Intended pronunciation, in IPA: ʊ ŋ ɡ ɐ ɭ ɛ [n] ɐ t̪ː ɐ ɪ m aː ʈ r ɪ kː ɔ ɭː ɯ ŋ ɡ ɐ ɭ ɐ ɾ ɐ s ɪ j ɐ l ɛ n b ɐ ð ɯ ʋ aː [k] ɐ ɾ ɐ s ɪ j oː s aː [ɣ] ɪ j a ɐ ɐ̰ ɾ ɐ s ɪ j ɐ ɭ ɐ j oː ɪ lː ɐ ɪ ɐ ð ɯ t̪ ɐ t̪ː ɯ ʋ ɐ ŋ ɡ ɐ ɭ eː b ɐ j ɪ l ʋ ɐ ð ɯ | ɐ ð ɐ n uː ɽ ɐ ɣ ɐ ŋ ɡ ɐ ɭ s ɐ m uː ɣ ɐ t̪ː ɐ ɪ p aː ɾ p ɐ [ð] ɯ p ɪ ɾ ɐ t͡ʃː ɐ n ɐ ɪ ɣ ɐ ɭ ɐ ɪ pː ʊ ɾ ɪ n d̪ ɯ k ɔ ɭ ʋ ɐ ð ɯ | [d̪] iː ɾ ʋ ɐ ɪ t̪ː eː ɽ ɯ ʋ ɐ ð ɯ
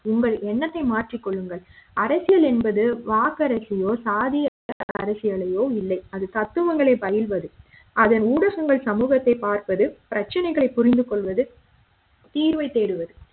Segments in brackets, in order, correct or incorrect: incorrect: nː, correct, incorrect: ð, correct, incorrect: t̪

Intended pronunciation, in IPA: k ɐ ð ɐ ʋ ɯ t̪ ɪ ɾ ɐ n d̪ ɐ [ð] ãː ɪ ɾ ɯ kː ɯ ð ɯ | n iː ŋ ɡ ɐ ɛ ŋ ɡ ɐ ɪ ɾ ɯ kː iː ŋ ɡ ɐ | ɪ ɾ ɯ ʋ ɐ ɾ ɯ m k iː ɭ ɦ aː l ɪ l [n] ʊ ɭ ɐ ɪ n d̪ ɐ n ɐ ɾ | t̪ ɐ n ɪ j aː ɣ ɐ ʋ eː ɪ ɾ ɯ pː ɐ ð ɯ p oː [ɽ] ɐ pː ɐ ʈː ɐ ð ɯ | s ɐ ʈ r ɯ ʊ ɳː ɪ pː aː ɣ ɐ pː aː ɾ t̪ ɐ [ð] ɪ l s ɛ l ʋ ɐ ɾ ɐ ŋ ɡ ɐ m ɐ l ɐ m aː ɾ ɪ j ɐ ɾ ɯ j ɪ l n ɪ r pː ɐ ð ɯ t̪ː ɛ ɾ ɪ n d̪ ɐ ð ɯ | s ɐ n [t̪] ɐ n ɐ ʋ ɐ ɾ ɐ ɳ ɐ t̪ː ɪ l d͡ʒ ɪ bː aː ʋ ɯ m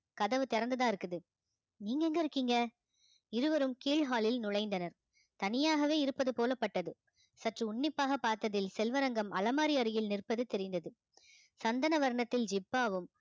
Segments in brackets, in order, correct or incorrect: correct, correct, incorrect: l, correct, incorrect: d̪

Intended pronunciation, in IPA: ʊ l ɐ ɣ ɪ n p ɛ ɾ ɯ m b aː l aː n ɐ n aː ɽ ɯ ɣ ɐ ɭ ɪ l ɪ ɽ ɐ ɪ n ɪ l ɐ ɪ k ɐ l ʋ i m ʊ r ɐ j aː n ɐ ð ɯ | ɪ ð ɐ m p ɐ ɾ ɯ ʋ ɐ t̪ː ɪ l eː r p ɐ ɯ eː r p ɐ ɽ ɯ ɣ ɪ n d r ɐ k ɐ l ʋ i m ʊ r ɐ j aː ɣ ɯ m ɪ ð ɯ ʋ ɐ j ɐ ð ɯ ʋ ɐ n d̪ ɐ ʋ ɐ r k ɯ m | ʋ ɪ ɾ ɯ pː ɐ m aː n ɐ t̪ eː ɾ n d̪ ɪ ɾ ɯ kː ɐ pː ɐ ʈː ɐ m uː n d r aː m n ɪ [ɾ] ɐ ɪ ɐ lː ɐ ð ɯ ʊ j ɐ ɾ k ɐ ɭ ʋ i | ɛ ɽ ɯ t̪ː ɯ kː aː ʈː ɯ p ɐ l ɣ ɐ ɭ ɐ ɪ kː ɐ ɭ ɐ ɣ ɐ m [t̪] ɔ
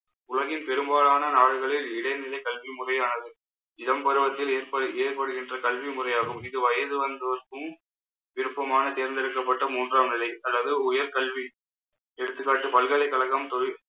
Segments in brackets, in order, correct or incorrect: incorrect: l, correct

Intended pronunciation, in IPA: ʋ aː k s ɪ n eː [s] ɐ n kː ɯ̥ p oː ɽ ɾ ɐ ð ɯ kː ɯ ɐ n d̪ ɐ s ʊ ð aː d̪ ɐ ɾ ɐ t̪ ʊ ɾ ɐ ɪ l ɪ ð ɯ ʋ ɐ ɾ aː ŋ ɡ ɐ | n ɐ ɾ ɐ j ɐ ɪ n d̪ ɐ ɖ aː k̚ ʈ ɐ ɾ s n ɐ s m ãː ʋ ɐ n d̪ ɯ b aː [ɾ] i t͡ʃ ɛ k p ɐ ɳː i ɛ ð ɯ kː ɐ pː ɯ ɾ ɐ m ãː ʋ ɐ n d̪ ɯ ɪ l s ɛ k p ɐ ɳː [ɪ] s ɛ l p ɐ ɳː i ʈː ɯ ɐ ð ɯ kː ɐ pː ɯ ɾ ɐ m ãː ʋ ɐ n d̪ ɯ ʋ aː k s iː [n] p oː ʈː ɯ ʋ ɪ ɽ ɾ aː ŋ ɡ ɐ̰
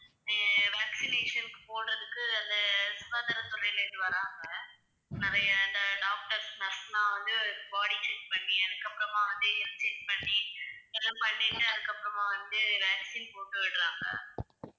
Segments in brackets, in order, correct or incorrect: incorrect: ʂ, incorrect: ɽ, incorrect: i, correct

